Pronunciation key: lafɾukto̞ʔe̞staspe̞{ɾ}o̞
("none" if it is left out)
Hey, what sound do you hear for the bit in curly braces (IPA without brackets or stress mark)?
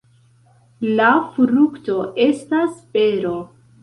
ɾ